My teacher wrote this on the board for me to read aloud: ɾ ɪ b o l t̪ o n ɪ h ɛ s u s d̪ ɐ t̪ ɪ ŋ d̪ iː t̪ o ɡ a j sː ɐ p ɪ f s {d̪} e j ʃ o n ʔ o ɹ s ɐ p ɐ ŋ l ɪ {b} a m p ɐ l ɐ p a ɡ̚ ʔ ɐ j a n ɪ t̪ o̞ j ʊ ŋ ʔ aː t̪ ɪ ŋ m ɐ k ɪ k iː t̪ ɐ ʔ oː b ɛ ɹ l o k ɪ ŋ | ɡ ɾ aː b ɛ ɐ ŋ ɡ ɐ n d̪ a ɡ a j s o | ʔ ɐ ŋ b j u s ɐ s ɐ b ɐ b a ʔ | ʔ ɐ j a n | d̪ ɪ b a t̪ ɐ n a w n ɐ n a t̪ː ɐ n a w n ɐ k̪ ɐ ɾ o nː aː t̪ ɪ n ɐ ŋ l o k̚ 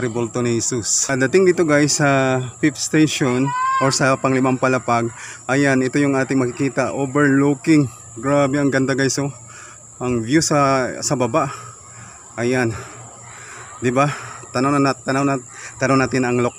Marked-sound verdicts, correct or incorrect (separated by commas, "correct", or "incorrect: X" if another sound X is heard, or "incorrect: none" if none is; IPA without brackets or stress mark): incorrect: t̪, incorrect: m